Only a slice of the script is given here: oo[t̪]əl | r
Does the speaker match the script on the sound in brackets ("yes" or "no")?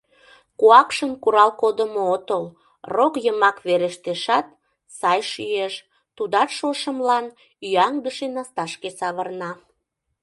yes